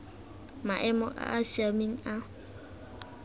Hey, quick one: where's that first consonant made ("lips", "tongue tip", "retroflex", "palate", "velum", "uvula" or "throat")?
lips